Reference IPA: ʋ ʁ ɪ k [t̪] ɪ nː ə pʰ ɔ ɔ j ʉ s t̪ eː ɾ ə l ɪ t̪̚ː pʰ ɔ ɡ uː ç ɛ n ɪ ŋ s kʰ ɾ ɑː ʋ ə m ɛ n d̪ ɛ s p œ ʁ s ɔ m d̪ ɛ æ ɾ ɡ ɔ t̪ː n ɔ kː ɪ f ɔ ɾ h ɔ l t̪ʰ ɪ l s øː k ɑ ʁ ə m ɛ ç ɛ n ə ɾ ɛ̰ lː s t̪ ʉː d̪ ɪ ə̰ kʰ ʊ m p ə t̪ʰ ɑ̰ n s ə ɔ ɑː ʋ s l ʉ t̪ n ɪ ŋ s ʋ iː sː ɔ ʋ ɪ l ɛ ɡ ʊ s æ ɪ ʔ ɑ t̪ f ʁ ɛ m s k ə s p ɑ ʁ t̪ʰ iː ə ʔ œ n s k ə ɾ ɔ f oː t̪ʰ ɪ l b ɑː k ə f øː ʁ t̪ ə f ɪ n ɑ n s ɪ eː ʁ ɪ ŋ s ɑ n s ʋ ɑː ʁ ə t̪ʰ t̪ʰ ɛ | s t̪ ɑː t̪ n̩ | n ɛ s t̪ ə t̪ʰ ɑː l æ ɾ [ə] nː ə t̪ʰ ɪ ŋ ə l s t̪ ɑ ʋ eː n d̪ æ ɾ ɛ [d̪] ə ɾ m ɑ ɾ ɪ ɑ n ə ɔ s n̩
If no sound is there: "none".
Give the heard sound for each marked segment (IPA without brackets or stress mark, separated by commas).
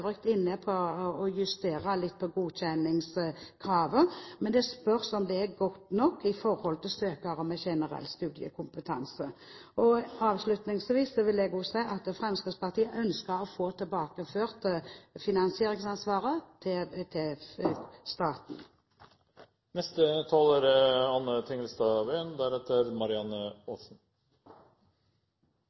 t̪, ɑ, t̪